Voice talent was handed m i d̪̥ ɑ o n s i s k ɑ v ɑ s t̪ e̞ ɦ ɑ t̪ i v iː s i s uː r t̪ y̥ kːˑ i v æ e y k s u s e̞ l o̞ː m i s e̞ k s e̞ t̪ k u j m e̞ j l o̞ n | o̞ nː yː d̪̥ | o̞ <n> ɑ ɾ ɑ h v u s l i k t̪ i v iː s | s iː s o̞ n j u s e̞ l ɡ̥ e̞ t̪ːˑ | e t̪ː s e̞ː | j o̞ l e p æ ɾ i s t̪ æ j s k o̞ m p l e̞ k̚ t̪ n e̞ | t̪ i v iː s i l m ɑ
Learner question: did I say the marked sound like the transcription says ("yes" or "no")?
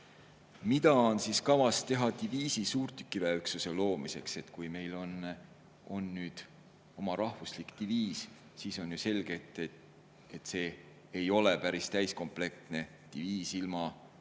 no